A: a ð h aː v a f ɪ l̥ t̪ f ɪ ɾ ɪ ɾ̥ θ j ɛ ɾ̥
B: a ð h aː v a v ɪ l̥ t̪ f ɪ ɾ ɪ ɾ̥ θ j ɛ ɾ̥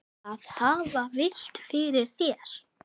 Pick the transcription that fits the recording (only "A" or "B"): B